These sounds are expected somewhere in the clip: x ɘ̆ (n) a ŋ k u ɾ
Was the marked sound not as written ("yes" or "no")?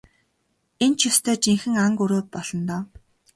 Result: yes